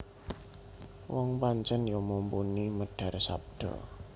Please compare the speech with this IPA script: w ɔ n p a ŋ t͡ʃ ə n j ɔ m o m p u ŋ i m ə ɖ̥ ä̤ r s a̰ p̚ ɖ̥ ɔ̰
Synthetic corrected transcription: w ɔ ŋ p a ɲ t͡ʃ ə n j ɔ m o m p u n i m ə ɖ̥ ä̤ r s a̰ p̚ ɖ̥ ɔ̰